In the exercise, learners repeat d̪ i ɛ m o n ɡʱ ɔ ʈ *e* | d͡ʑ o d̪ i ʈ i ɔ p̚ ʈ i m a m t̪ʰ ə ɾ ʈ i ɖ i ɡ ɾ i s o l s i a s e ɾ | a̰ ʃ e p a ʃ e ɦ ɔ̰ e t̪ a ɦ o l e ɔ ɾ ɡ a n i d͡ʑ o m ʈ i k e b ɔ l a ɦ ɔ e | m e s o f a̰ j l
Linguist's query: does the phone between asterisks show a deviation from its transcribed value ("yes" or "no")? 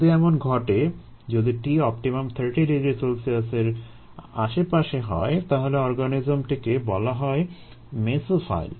no